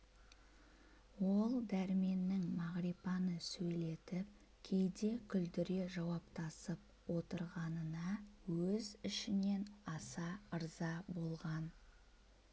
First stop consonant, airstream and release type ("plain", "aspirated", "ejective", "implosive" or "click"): plain